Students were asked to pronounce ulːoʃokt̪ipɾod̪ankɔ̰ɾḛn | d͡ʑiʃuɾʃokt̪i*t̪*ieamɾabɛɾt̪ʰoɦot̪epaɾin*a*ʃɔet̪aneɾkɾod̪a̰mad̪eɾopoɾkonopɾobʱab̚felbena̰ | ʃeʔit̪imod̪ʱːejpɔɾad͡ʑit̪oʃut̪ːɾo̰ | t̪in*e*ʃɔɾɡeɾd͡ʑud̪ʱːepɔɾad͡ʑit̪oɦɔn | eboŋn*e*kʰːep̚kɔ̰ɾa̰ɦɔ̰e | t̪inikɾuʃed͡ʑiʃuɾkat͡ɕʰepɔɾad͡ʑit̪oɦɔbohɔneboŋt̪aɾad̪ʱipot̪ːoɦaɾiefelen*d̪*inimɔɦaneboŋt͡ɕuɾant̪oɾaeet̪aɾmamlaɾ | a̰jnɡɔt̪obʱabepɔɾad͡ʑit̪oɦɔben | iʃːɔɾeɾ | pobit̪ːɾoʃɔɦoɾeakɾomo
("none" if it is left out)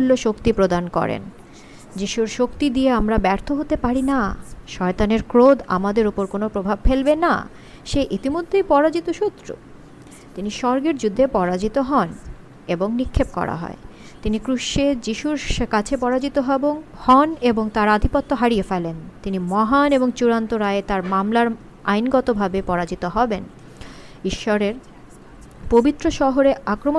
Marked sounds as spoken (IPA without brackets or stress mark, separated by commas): d̪, a, i, i, t̪